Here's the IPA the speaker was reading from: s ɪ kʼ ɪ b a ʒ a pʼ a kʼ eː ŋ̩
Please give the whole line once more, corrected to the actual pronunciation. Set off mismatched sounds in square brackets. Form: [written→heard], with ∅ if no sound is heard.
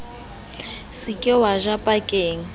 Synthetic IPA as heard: s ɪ kʼ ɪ [b→w] a ʒ a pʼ a kʼ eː ŋ̩